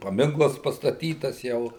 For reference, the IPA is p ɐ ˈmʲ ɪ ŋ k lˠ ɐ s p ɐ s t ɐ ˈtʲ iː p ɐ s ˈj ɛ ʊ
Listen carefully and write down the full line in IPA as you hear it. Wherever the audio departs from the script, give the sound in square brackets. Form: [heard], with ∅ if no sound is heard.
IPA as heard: p ɐ ˈmʲ ɪ ŋ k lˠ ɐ s p ɐ s t ɐ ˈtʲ iː [t] ɐ s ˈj ɛ ʊ